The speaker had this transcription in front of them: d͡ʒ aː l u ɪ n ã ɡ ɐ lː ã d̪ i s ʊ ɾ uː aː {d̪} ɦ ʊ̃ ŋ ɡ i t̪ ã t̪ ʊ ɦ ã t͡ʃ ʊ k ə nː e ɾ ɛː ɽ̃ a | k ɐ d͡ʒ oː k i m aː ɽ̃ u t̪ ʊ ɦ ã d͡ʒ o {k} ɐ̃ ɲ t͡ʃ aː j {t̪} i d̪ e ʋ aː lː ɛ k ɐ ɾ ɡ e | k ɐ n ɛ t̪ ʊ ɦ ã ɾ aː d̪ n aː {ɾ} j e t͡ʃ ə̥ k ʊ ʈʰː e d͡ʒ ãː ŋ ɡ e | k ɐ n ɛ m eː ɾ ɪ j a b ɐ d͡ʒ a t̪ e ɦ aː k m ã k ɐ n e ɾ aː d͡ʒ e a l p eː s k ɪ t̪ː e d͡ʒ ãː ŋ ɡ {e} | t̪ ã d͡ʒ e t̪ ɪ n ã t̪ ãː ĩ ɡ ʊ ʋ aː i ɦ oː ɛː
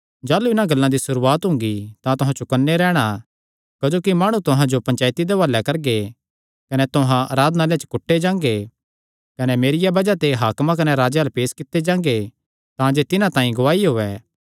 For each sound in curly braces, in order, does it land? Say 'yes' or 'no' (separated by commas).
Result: no, no, yes, no, yes